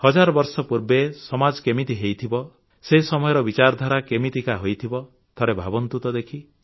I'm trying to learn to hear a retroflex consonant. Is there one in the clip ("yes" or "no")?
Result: no